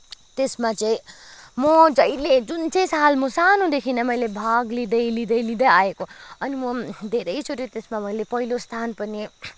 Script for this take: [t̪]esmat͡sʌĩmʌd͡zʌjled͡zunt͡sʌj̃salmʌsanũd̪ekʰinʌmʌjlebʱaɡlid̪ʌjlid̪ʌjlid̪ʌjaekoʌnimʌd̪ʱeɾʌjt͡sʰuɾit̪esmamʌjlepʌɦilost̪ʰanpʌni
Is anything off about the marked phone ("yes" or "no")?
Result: no